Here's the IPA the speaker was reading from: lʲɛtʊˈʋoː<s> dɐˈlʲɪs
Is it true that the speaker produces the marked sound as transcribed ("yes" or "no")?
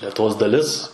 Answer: yes